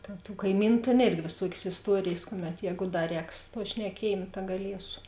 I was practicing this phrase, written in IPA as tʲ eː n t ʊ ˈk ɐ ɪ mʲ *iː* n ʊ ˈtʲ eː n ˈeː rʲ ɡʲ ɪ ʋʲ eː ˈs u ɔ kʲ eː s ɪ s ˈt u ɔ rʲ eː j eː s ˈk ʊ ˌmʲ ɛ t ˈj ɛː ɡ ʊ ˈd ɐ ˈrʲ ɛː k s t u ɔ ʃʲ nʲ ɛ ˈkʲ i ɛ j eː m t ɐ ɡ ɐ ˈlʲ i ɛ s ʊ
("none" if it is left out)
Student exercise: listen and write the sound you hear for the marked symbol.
iː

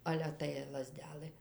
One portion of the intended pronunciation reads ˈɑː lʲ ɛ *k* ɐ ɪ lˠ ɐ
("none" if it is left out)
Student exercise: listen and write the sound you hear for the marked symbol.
t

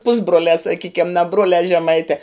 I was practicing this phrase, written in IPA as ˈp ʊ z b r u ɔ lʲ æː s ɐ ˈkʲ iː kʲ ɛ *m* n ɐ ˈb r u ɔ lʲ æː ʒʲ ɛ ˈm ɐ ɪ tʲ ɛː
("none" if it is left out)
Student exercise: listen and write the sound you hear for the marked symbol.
m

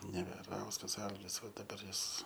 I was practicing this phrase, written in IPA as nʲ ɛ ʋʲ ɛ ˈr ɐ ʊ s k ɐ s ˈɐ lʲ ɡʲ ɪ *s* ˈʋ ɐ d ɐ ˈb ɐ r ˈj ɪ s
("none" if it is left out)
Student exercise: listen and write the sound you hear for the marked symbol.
s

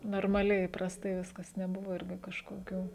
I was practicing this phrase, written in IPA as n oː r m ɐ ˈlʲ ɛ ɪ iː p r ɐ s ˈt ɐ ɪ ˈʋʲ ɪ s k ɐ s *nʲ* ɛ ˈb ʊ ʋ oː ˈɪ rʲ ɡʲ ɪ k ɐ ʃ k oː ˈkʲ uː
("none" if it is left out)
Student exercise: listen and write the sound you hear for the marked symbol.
nʲ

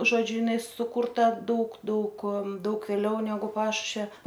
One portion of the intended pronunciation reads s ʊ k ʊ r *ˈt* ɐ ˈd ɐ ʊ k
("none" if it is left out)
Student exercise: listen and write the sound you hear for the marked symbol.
t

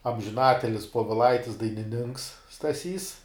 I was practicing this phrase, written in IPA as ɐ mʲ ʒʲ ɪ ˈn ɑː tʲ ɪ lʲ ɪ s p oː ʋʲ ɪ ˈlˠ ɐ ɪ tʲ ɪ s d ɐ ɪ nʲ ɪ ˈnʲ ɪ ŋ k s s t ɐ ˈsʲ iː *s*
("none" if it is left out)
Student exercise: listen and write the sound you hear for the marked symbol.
s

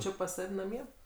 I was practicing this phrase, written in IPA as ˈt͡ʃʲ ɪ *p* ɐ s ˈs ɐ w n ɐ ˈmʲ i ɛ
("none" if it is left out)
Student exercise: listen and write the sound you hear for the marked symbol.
p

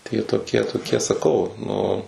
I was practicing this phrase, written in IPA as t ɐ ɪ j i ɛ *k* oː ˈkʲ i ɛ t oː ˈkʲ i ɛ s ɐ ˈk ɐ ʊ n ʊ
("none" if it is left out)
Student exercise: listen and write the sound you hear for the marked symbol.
t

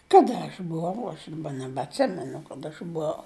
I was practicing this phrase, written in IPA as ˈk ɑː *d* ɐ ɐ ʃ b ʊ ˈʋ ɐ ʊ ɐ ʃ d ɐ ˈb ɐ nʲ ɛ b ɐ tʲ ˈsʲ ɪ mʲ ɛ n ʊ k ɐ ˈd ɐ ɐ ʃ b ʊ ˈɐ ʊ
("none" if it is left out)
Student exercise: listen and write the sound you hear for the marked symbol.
d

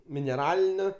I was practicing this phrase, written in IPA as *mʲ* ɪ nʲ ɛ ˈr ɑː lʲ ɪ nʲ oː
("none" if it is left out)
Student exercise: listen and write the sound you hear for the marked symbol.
mʲ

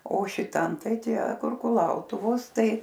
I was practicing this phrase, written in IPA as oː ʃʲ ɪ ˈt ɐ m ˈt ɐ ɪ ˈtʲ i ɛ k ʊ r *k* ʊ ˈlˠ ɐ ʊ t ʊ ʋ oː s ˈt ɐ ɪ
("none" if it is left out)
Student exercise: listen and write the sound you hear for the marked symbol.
k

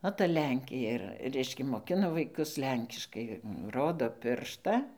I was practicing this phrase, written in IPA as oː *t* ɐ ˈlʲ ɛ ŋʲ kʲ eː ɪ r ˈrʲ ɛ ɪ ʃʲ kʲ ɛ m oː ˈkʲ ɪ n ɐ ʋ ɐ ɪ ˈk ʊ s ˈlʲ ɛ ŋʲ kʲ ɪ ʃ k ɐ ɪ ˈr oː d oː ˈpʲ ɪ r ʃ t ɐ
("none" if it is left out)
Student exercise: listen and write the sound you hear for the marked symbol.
t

